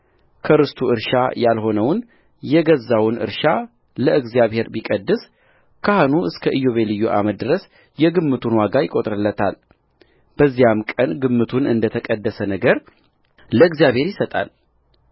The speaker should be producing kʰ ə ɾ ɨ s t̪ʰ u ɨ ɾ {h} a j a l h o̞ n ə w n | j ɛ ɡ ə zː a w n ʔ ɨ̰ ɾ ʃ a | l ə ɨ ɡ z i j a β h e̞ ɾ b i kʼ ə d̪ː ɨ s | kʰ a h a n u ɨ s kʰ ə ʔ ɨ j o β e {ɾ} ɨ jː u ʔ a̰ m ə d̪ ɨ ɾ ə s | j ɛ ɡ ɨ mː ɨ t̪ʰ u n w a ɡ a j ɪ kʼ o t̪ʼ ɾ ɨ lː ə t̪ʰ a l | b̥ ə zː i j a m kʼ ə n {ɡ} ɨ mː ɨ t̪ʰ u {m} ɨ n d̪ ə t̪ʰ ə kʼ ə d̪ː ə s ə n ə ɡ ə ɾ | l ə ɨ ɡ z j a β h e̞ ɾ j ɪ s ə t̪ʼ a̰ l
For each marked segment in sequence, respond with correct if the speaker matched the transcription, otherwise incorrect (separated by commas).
incorrect, incorrect, correct, incorrect